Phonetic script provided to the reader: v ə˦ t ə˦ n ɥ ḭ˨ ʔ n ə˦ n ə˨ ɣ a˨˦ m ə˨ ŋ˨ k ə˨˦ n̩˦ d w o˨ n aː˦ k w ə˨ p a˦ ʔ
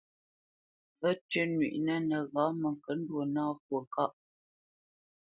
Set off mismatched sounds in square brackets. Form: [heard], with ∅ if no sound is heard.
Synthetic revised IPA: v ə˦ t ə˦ n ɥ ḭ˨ ʔ n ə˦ n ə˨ ɣ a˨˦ m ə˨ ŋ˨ k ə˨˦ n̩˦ d w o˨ n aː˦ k w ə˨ [k] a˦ ʔ